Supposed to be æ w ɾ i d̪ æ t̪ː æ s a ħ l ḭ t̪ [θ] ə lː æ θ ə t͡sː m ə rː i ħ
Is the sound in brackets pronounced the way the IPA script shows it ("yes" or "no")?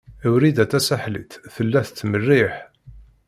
yes